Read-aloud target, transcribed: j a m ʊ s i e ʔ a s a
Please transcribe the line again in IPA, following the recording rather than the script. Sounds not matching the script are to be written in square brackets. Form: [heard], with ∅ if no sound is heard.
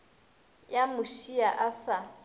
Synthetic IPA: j a m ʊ [ʃ] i [a] ʔ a s a

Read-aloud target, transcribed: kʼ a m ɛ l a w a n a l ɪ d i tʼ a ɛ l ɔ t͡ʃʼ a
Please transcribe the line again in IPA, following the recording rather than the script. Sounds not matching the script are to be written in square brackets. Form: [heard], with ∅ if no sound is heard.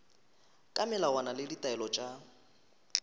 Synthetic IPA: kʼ a m ɛ l a w a n a l ɪ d i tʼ a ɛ l ɔ t͡ʃʼ a

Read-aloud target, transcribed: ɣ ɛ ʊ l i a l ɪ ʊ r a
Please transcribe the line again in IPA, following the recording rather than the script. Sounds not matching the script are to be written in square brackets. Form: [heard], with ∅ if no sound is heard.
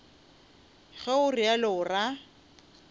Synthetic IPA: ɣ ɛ ʊ [r] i a l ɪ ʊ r a

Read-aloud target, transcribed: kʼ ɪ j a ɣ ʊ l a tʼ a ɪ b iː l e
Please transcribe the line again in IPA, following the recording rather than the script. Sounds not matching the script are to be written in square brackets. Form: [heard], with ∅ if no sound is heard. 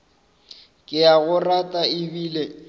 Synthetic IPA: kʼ ɪ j a ɣ ʊ [r] a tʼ a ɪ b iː l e

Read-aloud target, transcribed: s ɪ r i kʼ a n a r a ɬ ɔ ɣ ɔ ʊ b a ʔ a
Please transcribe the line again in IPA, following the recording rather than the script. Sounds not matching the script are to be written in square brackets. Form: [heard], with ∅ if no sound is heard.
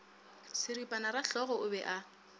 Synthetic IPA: s ɪ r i [pʼ] a n a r a ɬ ɔ ɣ ɔ ʊ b [ɛ] ʔ a

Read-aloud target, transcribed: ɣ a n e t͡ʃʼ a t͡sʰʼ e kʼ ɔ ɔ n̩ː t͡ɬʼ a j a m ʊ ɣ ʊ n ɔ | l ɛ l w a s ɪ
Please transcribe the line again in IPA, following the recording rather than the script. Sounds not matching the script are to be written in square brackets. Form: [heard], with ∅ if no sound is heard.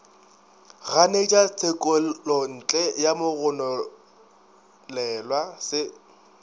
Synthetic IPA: ɣ a n e t͡ʃʼ a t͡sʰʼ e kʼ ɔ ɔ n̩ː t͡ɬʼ [ɛ] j a m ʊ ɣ ʊ n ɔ | l ɛ l w a s ɪ

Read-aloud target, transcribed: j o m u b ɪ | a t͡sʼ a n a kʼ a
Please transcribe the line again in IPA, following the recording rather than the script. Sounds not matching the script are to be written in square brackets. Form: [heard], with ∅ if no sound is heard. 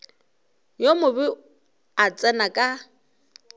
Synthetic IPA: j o m [ʊ] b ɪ | a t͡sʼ [ɛ] n a kʼ a

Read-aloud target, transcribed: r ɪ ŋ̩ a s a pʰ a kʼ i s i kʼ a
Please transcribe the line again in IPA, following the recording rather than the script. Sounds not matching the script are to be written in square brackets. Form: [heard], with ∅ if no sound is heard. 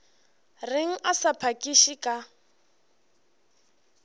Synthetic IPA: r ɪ ŋ̩ a s a pʰ a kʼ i [ʃ] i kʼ a

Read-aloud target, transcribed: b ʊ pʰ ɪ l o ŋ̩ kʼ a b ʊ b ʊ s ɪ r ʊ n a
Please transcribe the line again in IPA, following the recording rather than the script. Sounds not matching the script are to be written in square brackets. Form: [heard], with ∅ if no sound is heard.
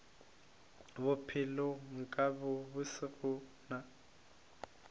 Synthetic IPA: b ʊ pʰ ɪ l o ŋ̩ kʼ a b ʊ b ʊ s ɪ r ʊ n a

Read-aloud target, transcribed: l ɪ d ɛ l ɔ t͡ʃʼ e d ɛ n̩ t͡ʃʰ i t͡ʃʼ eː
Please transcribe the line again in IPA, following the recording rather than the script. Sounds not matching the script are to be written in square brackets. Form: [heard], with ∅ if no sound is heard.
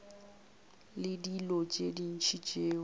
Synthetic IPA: l ɪ d [i] l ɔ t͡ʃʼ e d [i] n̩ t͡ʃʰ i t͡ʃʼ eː

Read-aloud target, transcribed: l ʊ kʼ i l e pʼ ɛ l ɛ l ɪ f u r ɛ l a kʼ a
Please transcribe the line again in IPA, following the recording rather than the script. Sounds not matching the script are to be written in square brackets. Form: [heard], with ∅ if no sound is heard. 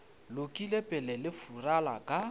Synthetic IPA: l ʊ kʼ i l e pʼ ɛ l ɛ l ɪ f u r [a] l a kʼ a

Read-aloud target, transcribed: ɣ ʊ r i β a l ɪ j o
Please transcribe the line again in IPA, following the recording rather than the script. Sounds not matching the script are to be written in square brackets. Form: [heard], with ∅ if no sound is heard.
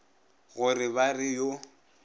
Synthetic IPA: ɣ ʊ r [ɪ] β a [r] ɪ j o

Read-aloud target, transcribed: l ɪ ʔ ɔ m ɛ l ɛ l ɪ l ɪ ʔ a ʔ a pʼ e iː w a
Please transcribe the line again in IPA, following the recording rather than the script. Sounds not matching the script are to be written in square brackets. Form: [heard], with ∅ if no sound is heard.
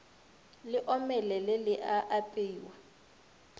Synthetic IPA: l ɪ ʔ ɔ m ɛ l ɛ l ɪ l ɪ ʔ a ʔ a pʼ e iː w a

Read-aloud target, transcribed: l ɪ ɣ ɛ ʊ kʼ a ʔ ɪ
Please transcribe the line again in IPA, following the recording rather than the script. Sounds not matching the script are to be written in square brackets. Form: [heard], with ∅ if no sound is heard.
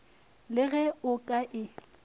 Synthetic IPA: l ɪ ɣ ɛ ʊ kʼ a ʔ ɪ

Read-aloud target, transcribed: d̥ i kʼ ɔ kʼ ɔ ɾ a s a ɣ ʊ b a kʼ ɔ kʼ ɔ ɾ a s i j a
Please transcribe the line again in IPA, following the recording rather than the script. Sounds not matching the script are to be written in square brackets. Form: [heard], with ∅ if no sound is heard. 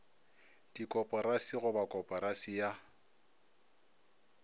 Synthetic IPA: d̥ i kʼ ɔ [pʼ] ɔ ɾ a s [i] ɣ ʊ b a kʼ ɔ [pʼ] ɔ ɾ a s i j a

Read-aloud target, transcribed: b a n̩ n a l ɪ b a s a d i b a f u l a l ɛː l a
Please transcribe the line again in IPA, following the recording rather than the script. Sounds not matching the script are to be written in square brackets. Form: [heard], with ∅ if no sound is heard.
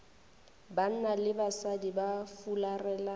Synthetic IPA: b a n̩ n a l ɪ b a s a d i b a f u l a [r] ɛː l a

